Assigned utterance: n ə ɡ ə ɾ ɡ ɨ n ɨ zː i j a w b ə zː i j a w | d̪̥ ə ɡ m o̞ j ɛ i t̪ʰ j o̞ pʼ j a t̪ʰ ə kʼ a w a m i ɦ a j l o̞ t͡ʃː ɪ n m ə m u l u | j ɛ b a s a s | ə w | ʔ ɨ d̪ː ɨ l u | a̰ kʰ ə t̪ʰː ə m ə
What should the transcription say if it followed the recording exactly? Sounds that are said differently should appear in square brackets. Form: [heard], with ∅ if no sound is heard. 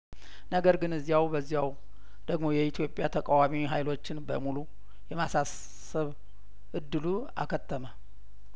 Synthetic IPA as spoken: n ə ɡ ə ɾ ɡ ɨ n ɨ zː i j a w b ə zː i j a w | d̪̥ ə ɡ m o̞ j ɛ i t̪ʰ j o̞ pʼ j a t̪ʰ ə kʼ a w a m i ɦ a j l o̞ t͡ʃː ɪ n [b] ə m u l u | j ɛ [m] a s a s | ə [β] | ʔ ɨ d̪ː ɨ l u | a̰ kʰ ə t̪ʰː ə m ə